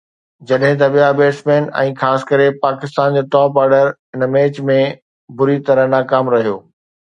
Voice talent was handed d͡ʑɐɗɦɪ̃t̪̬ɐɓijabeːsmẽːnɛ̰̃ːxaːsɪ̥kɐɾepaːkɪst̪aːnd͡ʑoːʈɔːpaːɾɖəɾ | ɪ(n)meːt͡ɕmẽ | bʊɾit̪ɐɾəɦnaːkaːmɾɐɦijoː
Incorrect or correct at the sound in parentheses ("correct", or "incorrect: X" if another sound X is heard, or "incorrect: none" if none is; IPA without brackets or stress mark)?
correct